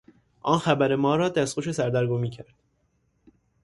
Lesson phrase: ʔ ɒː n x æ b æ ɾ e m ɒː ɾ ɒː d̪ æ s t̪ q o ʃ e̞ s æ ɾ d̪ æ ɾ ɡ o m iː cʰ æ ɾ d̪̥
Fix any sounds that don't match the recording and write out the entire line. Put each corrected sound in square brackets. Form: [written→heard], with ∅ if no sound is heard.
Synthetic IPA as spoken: ʔ ɒː n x æ b æ ɾ e m ɒː ɾ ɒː d̪ æ s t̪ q o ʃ e̞ s æ ɾ d̪ æ ɾ ɡ o m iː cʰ æ ɾ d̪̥